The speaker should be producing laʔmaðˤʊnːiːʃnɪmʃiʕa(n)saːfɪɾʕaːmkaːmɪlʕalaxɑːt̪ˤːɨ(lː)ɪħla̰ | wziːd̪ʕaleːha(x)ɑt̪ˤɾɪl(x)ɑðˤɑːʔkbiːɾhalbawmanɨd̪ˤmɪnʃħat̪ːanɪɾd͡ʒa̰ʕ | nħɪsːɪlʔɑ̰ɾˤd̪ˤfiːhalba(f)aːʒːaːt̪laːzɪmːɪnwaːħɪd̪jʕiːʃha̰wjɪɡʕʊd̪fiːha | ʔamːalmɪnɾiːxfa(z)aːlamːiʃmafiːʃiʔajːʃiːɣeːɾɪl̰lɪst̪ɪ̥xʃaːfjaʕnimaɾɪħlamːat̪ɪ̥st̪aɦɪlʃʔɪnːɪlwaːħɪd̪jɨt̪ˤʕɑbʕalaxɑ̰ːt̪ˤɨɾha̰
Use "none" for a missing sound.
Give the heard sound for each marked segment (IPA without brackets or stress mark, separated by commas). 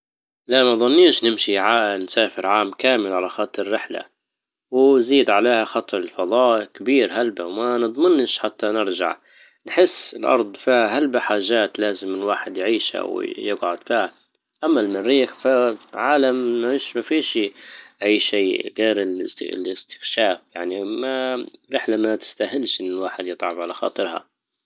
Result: n, rː, x, f, ħ, ʕ